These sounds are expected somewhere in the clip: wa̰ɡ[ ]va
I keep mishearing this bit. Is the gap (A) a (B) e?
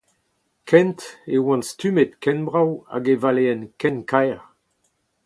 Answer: B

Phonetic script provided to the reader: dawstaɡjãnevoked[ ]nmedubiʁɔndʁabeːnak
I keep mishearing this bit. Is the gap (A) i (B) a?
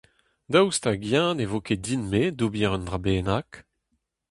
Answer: A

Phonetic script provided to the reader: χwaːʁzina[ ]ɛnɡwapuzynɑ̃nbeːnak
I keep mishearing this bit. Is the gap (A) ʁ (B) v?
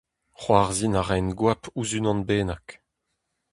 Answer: A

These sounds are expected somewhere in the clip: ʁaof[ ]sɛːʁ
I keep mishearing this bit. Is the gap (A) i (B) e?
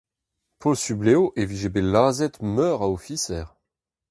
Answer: A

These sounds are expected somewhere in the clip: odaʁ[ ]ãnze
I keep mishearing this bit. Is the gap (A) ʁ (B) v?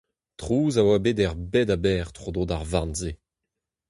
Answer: B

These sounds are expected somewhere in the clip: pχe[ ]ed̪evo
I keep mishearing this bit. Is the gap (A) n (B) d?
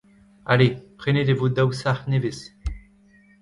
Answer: A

